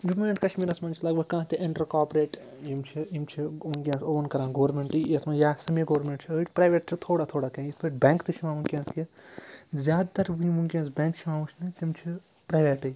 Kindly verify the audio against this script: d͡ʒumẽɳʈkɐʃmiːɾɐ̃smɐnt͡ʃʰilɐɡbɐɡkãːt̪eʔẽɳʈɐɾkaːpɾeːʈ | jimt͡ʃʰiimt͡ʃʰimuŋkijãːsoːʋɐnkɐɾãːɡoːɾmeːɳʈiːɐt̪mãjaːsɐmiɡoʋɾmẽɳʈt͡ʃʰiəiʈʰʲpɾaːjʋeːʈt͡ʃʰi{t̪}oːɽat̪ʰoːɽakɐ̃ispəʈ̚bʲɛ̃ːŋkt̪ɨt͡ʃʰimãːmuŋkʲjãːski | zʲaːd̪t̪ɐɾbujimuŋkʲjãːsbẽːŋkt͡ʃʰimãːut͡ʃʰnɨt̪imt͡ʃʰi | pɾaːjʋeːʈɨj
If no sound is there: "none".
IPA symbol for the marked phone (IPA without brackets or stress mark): t̪ʰ